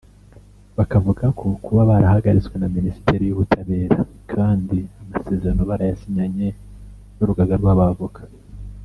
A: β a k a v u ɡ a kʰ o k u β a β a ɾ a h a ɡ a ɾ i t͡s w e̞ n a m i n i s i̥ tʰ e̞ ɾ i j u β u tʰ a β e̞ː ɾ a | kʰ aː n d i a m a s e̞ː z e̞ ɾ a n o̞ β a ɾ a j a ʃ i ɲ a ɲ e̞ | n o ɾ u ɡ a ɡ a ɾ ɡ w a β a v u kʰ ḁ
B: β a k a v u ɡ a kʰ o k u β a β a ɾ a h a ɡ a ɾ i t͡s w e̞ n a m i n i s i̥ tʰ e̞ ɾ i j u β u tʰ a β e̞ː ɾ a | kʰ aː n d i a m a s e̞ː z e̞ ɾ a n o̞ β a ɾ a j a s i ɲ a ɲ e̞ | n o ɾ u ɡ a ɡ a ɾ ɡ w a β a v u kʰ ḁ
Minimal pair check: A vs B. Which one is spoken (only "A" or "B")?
B